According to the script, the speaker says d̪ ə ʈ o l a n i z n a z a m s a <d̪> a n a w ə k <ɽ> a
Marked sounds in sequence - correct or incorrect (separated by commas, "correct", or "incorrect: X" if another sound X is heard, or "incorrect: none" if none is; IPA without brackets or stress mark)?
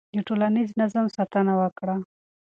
incorrect: t̪, correct